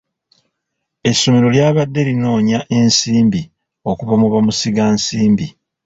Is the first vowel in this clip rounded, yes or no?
no